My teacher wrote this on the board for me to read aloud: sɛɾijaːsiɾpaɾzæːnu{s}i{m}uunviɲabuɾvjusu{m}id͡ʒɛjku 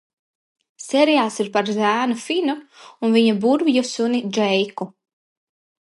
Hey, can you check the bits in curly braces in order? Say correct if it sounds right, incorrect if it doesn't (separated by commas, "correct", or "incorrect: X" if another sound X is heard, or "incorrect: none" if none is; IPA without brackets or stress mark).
incorrect: f, incorrect: n, incorrect: n